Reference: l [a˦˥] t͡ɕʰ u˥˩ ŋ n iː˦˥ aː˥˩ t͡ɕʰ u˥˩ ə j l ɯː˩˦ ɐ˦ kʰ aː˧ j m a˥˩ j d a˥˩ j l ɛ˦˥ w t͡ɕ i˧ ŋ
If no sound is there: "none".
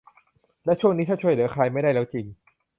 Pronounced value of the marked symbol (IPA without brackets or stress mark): ɛ˦˥